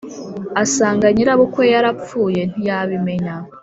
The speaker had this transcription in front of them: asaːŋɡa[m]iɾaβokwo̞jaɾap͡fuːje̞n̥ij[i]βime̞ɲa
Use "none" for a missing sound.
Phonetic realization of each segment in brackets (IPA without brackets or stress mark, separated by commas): ɲ, a